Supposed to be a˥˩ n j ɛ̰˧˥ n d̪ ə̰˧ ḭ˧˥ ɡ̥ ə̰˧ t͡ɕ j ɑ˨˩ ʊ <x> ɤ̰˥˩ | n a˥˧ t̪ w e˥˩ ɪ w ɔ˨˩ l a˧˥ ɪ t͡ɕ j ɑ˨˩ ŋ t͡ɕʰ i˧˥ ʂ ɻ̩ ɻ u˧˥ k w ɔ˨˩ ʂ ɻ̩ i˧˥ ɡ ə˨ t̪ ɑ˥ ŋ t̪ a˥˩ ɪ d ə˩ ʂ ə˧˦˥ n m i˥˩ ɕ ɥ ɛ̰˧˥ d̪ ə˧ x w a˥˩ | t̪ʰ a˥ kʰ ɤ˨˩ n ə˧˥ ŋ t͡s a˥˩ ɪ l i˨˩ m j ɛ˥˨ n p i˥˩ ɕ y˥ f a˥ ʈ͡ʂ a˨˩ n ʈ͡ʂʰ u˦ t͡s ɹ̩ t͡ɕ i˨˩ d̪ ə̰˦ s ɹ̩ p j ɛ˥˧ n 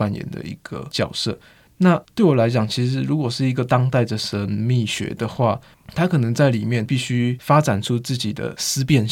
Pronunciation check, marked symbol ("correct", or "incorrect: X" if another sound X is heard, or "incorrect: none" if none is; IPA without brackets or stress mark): incorrect: s